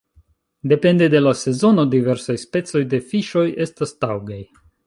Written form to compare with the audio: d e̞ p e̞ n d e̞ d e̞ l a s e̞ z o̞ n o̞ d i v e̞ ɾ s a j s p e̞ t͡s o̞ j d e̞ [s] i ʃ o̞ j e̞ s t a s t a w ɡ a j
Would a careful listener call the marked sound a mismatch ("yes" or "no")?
yes